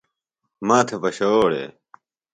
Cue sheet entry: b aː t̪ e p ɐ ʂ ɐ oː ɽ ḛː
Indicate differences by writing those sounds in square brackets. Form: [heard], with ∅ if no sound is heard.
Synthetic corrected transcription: [m] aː [t̪ʰ] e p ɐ [ɕ] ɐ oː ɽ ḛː

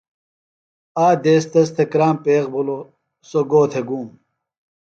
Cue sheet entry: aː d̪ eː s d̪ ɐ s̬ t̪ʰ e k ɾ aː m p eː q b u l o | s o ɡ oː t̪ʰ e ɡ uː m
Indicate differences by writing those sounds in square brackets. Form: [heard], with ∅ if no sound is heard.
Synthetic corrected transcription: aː d̪ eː s [t̪] ɐ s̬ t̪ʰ e k ɾ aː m p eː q b u l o | s o ɡ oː t̪ʰ e ɡ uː m

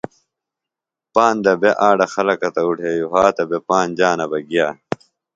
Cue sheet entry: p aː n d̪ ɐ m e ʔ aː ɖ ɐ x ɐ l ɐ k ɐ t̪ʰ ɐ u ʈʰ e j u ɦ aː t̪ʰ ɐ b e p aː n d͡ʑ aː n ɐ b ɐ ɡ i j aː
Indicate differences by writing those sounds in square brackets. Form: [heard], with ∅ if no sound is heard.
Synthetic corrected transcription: p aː n d̪ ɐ [b] e ʔ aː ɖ ɐ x ɐ l ɐ k ɐ [t̪] ɐ u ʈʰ e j u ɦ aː [t̪] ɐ b e p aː n d͡ʑ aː n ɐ b ɐ ɡ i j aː

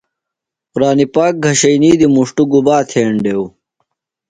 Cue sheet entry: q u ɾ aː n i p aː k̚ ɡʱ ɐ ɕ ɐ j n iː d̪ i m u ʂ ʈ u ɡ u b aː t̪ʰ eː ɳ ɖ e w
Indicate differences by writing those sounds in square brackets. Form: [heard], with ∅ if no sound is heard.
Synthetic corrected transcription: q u ɾ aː n i p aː k̚ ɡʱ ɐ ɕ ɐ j n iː d̪ i m u ʂ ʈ u ɡ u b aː t̪ʰ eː ɳ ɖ e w

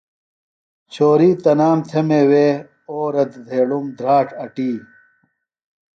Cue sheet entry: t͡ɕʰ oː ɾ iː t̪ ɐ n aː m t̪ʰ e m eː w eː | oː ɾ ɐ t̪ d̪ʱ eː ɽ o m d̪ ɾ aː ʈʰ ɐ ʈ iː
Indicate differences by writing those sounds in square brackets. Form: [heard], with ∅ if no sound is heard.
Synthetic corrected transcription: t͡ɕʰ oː ɾ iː t̪ ɐ n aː m t̪ʰ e m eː w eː | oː ɾ ɐ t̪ d̪ʱ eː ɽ [u] m d̪ ɾ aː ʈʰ ɐ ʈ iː

